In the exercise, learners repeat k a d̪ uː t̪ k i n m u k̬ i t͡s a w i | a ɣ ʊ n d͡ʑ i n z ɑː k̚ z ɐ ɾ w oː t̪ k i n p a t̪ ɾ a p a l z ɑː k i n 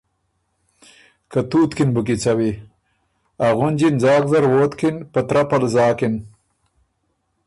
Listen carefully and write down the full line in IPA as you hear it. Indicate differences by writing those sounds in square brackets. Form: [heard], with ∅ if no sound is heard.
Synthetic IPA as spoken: k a [t̪] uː t̪ k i n [b] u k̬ i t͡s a w i | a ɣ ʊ n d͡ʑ i n z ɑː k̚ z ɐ ɾ w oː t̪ k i n p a t̪ ɾ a p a l z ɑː k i n